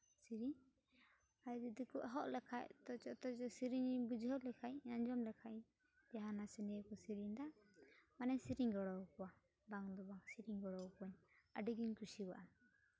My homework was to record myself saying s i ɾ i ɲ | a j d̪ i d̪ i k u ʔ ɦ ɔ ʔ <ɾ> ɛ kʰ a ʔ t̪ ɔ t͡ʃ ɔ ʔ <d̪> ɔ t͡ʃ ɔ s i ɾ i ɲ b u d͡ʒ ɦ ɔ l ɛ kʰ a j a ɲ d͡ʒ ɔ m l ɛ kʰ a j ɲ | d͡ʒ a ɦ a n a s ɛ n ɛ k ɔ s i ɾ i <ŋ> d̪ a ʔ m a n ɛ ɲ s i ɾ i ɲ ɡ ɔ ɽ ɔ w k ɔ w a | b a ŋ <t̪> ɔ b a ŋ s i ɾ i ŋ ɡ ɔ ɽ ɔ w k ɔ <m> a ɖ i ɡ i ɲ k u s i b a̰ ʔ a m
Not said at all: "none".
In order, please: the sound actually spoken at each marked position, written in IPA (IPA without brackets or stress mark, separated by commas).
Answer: l, t̪, ɲ, d̪, ɲ